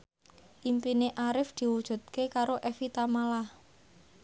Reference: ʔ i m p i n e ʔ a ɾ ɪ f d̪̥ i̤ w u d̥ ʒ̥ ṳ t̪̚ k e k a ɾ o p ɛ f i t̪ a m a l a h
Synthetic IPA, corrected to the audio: ʔ i m p i n e ʔ a ɾ ɪ f d̪̥ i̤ w u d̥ ʒ̥ ṳ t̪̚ k e k a ɾ o ʔ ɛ f i t̪ a m a l a h